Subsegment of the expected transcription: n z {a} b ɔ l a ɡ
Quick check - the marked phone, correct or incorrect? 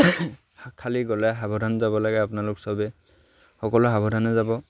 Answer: correct